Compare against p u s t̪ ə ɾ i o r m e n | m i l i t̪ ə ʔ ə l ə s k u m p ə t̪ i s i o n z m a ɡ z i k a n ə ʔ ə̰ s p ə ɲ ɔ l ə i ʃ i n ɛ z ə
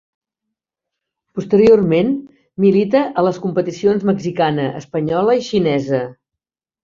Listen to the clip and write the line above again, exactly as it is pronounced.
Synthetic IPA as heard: p u s t̪ ə ɾ i o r m e n | m i l i t̪ ə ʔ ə l ə s k u m p ə t̪ i s i o n z m ə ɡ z i k a n ə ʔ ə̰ s p ə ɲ ɔ l ə i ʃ i n ɛ z ə

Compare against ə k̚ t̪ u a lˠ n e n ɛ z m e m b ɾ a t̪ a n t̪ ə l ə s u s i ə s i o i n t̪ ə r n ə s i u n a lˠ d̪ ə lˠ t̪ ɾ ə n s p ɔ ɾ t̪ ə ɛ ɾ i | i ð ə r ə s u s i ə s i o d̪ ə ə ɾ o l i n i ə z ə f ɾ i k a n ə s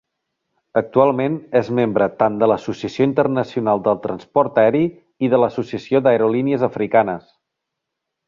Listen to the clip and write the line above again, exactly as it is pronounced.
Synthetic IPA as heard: ə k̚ t̪ u a lˠ m e n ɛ z m e m b ɾ ə t̪ a n d̪ ə l ə s u s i ə s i o i n t̪ ə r n ə s i u n a lˠ d̪ ə lˠ t̪ ɾ ə n s p ɔ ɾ t̪ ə ɛ ɾ i | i ð ə l ə s u s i ə s i o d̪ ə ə ɾ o l i n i ə z ə f ɾ i k a n ə s

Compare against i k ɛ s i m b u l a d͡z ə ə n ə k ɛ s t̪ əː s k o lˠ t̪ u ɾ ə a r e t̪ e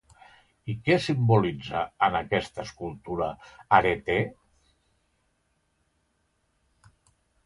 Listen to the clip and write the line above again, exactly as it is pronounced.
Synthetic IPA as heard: i k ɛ s i m b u l i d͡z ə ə n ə k ɛ s t̪ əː s k u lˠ t̪ u ɾ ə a ɾ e t̪ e

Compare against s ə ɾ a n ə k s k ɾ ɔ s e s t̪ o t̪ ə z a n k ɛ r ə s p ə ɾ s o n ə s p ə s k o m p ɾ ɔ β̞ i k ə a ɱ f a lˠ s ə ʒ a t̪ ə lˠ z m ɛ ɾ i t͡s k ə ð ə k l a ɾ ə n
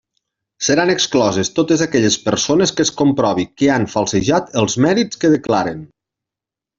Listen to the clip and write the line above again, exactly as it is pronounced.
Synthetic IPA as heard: s ə ɾ a n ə k s k l ɔ z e s t̪ o t̪ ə z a k ɛ ʎ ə s p ə ɾ s o n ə s k ə s k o m p ɾ ɔ β̞ i k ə a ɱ f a lˠ s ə ʒ a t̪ ə lˠ z m ɛ ɾ i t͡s k ə ð ə k l a ɾ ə n

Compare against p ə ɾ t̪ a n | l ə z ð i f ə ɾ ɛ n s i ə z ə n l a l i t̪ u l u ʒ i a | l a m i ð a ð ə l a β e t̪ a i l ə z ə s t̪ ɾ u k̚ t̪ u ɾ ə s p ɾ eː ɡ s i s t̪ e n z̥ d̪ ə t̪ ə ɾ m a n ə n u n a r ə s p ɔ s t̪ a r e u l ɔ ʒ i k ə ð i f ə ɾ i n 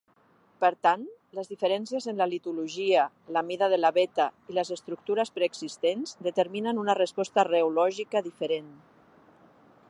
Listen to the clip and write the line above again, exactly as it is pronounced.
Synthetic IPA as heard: p ə ɾ t̪ a n | l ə z ð i f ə ɾ ɛ n s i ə z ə n l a l i t̪ u l u ʒ i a | l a m i ð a ð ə l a β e t̪ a i l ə z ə s t̪ ɾ u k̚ t̪ u ɾ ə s p ɾ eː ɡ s i s t̪ e n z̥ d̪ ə t̪ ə ɾ m i n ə n u n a r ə s p ɔ s t̪ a r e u l ɔ ʒ i k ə ð i f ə ɾ e n

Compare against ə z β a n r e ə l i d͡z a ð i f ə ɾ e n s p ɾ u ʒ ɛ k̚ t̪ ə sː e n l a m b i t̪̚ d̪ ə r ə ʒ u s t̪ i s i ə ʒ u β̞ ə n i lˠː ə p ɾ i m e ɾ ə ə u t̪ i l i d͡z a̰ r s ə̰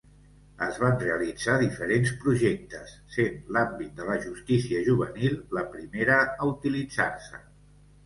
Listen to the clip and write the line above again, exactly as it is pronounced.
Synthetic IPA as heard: ə z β a n r e ə l i d͡z a ð i f ə ɾ e n s p ɾ u ʒ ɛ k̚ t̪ ə sː e n l a m b i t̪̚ d̪ ə l ə ʒ u s t̪ i s i ə ʒ u β̞ ə n i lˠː ə p ɾ i m e ɾ ə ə u t̪ i l i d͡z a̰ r s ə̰

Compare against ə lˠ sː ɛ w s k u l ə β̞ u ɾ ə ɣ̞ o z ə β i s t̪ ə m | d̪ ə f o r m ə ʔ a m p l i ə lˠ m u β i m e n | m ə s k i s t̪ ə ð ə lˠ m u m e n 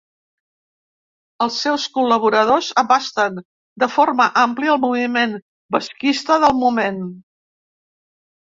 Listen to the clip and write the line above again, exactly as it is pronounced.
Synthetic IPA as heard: ə lˠ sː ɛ w s k u l ə β̞ u ɾ ə ð̞ o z ə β a s t̪ ə n | d̪ ə f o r m ə ʔ a m p l i ə lˠ m u β i m e n | b ə s k i s t̪ ə ð ə lˠ m u m e n

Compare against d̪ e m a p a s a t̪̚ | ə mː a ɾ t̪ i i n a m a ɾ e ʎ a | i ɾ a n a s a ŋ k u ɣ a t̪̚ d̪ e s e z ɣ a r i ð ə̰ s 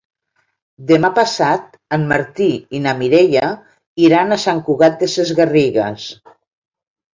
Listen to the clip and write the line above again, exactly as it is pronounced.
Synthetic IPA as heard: d̪ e m a p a s a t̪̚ | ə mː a ɾ t̪ i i n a m i ɾ e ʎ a | i ɾ a n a s a ŋ k u ɣ a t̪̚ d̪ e s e z ɣ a r i ɣ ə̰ s

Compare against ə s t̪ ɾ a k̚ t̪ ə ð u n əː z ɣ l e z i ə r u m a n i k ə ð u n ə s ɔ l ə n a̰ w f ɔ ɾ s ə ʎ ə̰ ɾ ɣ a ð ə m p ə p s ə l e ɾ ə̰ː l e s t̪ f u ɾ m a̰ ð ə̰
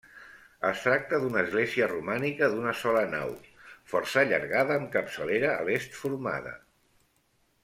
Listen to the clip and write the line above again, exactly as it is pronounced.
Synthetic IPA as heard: ə s t̪ ɾ a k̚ t̪ ə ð u n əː z ɣ l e z i ə r u m a n i k ə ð u n ə s ɔ l ə n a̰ w f ɔ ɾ s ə ʎ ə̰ ɾ ɣ a ð əː m k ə p s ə l e ɾ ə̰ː l e s t̪ f u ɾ m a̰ ð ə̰

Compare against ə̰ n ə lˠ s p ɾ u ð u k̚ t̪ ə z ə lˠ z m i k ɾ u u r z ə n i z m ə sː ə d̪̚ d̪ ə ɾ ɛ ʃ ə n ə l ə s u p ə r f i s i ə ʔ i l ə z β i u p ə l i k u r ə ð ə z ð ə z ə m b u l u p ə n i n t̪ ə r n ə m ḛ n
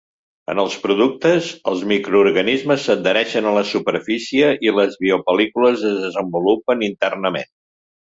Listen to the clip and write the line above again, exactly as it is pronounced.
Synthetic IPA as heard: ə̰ n ə lˠ s p ɾ u ð u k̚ t̪ ə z ə lˠ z m i k ɾ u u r ɣ ə n i z m ə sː ə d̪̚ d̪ ə ɾ ɛ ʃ ə n ə l ə s u p ə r f i s i ə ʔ i l ə z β i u p ə l i k u l ə z ə z ð ə z ə m b u l u p ə n i n t̪ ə r n ə m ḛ n

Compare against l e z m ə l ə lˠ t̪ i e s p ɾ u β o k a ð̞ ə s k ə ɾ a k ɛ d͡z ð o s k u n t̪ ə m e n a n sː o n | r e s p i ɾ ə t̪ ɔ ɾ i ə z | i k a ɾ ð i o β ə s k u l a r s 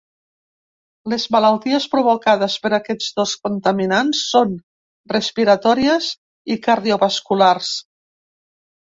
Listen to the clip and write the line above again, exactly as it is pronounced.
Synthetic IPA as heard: l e z m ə l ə lˠ t̪ i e s p ɾ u β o k a ð̞ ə s p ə ɾ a k ɛ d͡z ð o s k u n t̪ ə m i n a n sː o n | r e s p i ɾ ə t̪ ɔ ɾ i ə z | i k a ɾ ð i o β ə s k u l a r s

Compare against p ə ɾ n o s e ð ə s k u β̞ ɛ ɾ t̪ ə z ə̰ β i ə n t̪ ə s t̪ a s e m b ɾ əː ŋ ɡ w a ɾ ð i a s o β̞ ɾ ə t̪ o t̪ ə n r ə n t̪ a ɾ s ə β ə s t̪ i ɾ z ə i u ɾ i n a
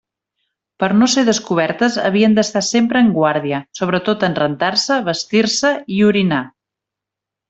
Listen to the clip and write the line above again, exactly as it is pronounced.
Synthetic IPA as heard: p ə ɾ n o s e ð ə s k u β̞ ɛ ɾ t̪ ə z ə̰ β i ə n d̪ ə s t̪ a s e m p ɾ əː ŋ ɡ w a ɾ ð i ə s o β̞ ɾ ə t̪ o t̪ ə n r ə n t̪ a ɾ s ə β ə s t̪ i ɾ s ə i u ɾ i n a

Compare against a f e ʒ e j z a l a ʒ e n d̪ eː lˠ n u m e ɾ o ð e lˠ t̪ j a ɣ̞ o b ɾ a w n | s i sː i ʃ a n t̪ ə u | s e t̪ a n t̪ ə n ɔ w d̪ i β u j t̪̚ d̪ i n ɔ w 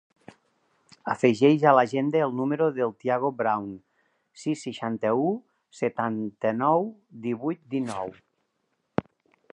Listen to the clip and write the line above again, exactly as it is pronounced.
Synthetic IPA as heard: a f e ʒ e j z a l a ʒ e n d̪ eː lˠ n u m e ɾ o ð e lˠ t̪ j a ɣ̞ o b ɾ a w n | s i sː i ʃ a n t̪ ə u | s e t̪ a n t̪ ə n ɔ w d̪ i β u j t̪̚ d̪ i n ɔ w

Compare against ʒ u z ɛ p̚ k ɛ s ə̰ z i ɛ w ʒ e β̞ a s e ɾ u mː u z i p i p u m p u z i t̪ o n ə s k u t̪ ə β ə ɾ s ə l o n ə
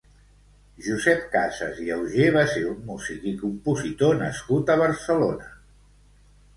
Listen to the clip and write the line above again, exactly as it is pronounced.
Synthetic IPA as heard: ʒ u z ɛ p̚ k a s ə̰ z i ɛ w ʒ e β̞ a s e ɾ u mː u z i k i k u m p u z i t̪ o n ə s k u t̪ ə β ə ɾ s ə l o n ə

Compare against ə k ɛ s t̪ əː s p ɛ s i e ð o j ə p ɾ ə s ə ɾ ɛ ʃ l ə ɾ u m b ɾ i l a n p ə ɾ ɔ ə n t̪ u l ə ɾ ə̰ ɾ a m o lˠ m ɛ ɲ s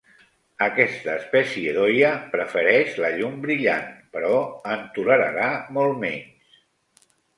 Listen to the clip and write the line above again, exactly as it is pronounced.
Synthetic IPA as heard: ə k ɛ s t̪ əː s p ɛ s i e ð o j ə p ɾ ə f ə ɾ ɛ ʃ l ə ʎ u m b ɾ i ʎ a n p ə ɾ ɔ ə n t̪ u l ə ɾ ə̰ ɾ a m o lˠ m ɛ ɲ s

